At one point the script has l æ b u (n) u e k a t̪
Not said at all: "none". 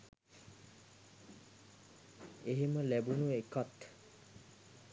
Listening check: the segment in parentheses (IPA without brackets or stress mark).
n